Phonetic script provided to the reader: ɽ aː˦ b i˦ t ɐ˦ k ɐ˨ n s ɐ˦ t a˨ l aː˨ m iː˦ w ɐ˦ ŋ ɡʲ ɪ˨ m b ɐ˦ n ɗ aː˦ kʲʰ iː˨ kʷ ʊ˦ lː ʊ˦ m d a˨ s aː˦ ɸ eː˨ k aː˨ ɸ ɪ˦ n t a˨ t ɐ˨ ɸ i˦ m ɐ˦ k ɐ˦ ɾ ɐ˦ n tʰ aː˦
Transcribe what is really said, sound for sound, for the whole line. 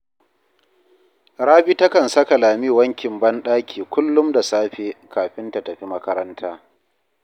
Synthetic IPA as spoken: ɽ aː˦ b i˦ t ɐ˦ k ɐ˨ n s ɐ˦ k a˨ l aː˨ m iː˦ w ɐ˦ ŋ kʲ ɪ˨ m b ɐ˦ n ɗ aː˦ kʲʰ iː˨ kʷ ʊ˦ lː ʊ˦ m d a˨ s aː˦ ɸ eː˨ k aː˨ ɸ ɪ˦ n t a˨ t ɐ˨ ɸ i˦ m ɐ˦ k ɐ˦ ɾ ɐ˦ n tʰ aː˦

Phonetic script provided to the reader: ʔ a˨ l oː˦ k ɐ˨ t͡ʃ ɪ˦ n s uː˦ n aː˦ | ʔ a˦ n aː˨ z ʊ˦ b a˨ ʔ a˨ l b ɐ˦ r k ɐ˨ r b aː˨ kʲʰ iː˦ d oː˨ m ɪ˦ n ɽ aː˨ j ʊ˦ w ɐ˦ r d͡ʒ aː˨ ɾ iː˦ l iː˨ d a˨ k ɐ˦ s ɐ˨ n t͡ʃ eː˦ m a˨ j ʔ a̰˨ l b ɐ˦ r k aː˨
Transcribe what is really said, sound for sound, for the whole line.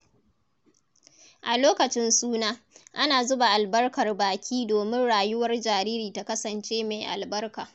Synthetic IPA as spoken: ʔ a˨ l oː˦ k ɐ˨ t͡ʃ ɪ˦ n s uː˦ n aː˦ | ʔ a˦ n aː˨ z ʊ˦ b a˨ ʔ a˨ l b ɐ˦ r k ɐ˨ r b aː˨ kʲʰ iː˦ d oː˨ m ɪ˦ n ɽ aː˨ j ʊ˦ w ɐ˦ r d͡ʒ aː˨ ɾ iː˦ ɾ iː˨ t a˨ k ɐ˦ s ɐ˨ n t͡ʃ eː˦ m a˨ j ʔ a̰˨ l b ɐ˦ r k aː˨

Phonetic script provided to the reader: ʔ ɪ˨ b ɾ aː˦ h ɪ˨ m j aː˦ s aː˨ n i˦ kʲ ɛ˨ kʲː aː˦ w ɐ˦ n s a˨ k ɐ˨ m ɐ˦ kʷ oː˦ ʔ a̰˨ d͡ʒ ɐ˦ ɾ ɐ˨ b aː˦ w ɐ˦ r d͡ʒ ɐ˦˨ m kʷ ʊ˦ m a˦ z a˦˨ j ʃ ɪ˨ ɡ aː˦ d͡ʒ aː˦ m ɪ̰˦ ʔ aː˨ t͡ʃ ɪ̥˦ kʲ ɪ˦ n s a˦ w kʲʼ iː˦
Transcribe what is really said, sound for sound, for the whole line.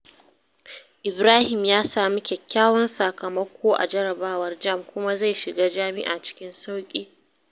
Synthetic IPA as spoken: ʔ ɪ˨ b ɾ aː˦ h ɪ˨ m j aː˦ s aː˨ m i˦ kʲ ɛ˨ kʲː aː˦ w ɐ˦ n s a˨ k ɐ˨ m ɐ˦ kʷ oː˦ ʔ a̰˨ d͡ʒ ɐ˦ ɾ ɐ˨ b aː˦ w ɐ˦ r d͡ʒ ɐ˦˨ m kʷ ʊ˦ m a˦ z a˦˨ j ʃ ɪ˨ ɡ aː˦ d͡ʒ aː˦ m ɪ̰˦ ʔ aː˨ t͡ʃ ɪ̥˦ kʲ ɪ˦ n s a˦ w kʲʼ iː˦

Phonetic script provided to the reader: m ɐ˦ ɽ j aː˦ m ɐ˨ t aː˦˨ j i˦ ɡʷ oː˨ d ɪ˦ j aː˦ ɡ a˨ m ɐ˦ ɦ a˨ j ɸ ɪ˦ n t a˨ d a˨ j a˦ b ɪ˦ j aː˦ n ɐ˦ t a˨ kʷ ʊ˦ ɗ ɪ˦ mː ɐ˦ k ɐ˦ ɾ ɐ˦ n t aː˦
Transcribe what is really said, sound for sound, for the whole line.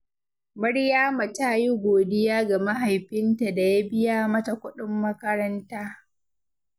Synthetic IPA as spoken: m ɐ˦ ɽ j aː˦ m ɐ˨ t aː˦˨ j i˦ ɡʷ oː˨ d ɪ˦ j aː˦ ɡ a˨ m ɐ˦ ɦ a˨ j ɸ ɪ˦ n t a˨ d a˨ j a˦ b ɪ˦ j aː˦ m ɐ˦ t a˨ kʷ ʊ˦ ɗ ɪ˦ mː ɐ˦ k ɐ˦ ɾ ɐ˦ n t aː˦

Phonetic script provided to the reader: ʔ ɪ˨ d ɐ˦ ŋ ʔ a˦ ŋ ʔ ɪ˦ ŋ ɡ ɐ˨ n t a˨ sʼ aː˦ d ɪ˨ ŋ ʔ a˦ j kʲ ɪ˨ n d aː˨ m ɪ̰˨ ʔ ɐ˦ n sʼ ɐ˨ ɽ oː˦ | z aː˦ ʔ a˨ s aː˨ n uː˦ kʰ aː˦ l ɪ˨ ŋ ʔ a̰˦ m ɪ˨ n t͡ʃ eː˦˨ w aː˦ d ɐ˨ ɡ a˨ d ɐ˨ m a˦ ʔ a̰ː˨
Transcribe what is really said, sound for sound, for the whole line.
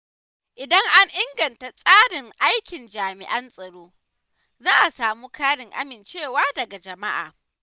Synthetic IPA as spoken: ʔ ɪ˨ d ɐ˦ ŋ ʔ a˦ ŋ ʔ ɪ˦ ŋ ɡ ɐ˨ n t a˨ sʼ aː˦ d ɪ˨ ŋ ʔ a˦ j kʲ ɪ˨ n d͡ʒ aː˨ m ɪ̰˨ ʔ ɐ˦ n sʼ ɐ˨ ɽ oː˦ | z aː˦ ʔ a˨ s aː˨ m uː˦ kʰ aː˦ ɽ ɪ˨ ŋ ʔ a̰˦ m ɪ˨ n t͡ʃ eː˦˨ w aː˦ d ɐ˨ ɡ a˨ d͡ʒ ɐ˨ m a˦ ʔ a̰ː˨

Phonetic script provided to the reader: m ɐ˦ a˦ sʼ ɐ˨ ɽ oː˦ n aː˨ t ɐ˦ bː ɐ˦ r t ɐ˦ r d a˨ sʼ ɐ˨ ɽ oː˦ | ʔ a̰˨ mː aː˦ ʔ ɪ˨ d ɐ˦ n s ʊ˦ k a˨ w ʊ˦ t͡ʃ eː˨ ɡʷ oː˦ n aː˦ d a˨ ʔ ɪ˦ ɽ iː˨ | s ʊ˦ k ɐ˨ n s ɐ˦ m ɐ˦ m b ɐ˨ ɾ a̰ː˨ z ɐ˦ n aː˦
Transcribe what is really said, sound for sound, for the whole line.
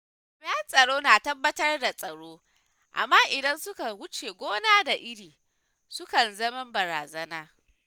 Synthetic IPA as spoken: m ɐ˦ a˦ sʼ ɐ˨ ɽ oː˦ n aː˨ t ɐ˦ bː ɐ˦ t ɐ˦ r d a˨ sʼ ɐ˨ ɽ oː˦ | ʔ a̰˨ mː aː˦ ʔ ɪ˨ d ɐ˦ n s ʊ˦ k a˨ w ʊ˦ t͡ʃ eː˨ ɡʷ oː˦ n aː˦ d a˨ ʔ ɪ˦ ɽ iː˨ | s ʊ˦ k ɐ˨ n z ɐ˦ m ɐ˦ m b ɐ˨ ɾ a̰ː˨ z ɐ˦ n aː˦

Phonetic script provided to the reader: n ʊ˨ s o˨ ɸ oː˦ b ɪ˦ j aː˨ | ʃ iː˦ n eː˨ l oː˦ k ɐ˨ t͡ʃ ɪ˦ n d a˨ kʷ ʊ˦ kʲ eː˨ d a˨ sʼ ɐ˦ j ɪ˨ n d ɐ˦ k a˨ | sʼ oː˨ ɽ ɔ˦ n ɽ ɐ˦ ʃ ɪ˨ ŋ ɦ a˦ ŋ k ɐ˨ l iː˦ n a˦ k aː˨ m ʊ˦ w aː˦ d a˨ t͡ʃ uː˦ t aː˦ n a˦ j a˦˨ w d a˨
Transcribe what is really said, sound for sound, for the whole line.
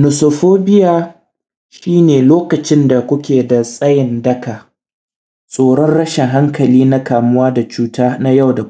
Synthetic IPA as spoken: n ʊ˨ s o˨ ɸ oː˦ b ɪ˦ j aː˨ | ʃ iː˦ n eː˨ l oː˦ k ɐ˨ t͡ʃ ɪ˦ n d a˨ kʷ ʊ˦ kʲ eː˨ d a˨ sʼ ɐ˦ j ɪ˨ n d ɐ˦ k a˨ | sʼ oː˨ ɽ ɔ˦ n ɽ ɐ˦ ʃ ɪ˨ ŋ ɦ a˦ ŋ k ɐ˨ l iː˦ n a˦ k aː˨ m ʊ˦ w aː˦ d a˨ t͡ʃ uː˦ t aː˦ n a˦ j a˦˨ w d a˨

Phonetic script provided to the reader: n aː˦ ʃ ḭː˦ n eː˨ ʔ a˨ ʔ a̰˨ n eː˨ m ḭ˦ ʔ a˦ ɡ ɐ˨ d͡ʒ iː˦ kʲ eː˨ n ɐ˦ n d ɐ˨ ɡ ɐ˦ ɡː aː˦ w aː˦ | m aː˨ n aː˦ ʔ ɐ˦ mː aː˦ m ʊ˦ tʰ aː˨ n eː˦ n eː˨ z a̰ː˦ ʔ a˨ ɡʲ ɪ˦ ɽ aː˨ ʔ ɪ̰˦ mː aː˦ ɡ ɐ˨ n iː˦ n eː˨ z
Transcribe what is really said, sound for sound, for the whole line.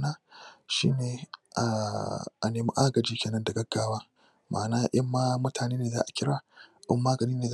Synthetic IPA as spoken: n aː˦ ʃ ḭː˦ n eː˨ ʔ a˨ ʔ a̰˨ n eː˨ m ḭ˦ ʔ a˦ ɡ ɐ˨ d͡ʒ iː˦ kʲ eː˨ n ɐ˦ n d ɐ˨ ɡ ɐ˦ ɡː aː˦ w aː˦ | m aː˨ n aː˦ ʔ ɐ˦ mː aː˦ m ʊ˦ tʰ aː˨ n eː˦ n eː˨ z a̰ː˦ ʔ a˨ kʲ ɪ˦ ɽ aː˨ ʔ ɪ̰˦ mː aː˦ ɡ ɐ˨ n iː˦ n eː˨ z

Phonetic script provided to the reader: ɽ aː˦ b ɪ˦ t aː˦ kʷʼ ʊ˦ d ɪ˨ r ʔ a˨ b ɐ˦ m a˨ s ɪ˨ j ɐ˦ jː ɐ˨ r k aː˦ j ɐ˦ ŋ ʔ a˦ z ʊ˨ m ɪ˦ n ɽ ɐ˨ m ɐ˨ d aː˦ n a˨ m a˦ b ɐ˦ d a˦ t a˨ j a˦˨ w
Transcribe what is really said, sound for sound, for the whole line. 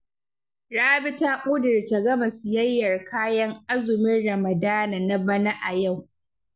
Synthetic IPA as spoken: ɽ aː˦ b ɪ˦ t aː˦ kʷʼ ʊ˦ d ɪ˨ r t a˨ ɡ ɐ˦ m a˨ s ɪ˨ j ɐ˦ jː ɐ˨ r k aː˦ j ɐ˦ ŋ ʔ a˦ z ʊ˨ m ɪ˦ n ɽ ɐ˨ m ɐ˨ d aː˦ n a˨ n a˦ b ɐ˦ n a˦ ʔ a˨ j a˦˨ w

